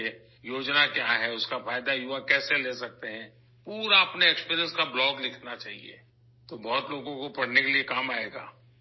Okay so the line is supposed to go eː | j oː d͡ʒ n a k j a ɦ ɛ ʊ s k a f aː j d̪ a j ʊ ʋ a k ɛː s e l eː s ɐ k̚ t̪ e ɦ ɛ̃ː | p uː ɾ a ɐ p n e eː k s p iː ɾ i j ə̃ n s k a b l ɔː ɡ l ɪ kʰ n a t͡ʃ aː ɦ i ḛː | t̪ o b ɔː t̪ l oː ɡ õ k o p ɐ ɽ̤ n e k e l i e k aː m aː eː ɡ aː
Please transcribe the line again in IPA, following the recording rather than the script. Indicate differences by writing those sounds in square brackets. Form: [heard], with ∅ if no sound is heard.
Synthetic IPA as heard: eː | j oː d͡ʒ n a k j a ɦ ɛ ʊ s k a f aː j d̪ a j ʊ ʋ a k ɛː s e l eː s ɐ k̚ t̪ e ɦ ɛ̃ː | p uː ɾ a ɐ p n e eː k s p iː ɾ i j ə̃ n s k a b l ɔː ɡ l ɪ kʰ n a t͡ʃ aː ɦ i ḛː | t̪ o b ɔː t̪ l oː ɡ õ k o p ɐ ɽ̤ n e k e l i e k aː m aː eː ɡ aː